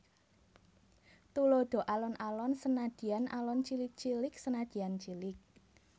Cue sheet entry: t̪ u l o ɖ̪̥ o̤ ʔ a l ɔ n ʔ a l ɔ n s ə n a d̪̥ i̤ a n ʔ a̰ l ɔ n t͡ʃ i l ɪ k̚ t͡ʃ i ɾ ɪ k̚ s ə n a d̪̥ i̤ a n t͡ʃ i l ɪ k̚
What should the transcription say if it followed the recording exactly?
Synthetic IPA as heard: t̪ u l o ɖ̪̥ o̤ ʔ a l ɔ n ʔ a l ɔ n s ə n a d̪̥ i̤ a n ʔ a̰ l ɔ n t͡ʃ i l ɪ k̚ t͡ʃ i l ɪ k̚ s ə n a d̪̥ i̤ a n t͡ʃ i l ɪ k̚